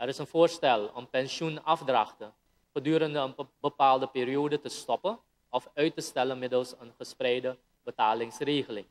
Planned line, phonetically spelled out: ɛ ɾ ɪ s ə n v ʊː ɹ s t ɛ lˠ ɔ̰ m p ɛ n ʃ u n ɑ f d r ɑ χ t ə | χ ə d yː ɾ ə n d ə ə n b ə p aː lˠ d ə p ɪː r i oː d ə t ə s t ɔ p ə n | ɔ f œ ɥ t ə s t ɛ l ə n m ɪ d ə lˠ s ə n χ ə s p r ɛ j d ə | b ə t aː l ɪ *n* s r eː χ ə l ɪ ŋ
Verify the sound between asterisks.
incorrect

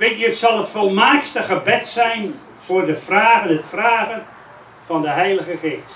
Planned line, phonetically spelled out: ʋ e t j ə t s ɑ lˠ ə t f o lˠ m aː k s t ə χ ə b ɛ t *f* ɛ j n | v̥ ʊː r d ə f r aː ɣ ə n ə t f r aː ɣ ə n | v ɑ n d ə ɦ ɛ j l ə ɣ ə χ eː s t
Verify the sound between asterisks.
incorrect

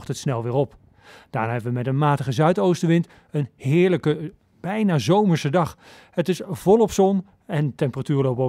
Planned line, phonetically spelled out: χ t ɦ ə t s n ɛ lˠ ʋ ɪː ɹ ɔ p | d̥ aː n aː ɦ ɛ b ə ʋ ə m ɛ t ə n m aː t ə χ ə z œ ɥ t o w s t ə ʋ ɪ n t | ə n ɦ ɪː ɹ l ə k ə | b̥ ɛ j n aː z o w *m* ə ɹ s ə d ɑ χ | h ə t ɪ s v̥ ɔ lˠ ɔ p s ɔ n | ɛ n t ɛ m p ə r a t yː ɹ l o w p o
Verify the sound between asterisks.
correct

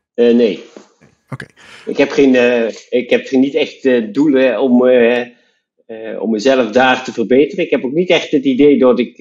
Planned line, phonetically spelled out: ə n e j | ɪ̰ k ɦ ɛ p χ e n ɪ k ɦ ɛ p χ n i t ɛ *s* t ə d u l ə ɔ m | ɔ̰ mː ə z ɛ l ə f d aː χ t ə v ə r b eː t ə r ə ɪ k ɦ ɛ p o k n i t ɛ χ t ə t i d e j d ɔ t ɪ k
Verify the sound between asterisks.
incorrect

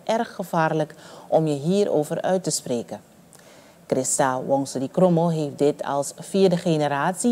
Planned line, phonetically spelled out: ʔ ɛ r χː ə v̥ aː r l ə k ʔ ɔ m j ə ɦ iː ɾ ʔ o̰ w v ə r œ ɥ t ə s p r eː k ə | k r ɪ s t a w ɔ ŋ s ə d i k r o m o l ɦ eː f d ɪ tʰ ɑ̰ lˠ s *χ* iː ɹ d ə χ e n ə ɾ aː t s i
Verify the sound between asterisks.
incorrect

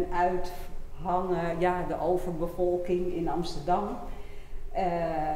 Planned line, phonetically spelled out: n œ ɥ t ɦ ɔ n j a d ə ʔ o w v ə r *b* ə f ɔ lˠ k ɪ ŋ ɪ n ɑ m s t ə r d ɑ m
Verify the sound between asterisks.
correct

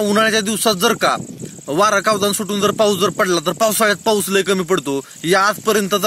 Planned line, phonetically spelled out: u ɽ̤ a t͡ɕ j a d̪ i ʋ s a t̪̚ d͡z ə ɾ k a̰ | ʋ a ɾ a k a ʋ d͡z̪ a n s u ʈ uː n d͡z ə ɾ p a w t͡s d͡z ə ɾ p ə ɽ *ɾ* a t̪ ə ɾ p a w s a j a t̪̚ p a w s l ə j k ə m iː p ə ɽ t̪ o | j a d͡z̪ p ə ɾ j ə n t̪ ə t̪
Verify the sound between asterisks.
incorrect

